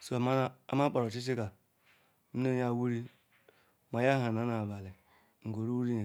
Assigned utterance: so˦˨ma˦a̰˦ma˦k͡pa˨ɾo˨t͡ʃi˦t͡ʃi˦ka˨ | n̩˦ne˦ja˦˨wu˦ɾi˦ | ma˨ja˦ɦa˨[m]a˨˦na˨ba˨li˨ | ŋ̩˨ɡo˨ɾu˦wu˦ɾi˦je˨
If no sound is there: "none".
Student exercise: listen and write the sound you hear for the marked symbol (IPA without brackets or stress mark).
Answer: n